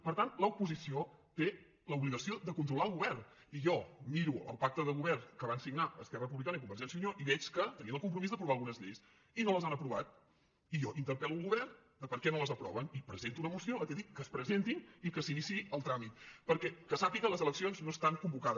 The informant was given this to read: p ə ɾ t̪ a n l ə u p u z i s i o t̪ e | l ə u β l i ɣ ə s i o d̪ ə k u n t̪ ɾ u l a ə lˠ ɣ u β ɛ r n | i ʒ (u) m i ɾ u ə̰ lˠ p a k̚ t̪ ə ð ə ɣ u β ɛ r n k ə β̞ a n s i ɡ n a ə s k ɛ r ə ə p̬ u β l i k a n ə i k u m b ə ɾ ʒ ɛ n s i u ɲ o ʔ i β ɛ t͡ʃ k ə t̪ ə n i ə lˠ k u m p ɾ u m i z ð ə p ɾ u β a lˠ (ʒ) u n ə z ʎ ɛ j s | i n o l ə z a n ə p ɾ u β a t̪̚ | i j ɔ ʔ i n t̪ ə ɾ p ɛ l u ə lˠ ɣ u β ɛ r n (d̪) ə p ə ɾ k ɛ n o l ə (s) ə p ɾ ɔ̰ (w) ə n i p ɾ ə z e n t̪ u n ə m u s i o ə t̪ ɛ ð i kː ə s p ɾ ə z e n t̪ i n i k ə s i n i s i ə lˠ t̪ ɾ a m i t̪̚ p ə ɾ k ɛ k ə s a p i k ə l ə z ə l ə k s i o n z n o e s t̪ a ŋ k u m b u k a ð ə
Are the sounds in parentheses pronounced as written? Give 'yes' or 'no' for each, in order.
no, no, yes, no, no

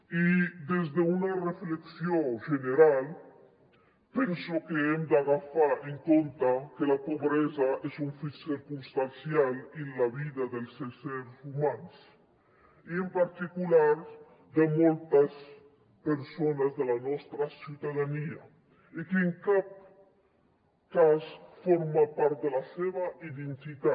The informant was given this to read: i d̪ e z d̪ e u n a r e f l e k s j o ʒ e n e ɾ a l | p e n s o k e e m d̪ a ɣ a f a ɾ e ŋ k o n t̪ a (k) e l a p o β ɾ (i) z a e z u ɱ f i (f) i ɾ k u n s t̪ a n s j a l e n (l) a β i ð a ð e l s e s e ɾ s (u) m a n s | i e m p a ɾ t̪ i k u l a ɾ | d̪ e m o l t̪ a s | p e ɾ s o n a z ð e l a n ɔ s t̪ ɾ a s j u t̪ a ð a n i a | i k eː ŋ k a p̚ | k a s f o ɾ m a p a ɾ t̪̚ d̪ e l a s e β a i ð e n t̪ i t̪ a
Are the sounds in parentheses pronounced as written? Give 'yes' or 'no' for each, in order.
yes, no, no, yes, yes

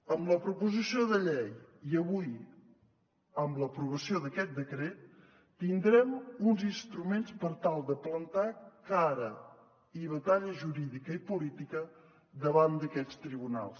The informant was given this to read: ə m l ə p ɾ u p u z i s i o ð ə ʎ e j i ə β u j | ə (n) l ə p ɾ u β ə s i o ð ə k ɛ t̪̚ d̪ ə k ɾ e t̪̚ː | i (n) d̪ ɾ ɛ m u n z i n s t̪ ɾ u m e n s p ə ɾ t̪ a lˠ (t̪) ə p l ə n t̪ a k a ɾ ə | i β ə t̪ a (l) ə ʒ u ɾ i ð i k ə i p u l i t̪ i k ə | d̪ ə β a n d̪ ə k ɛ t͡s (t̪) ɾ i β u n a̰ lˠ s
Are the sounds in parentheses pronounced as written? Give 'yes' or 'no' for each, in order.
no, yes, no, no, yes

